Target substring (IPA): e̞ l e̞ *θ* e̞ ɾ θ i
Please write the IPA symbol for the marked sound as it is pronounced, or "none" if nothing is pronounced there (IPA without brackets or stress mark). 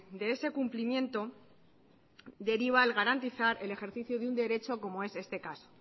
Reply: x